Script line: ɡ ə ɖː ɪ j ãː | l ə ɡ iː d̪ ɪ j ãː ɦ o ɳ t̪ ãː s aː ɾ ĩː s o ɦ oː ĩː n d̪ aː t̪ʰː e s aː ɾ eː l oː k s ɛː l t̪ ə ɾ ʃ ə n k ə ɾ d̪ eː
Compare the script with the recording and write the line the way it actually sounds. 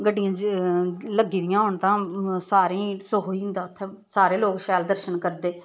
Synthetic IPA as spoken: ɡ ə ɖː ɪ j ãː | l ə ɡ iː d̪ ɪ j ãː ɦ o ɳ t̪ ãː s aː ɾ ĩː s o ɦ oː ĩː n d̪ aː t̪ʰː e s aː ɾ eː l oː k ʃ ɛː l d̪ ə ɾ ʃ ə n k ə ɾ d̪ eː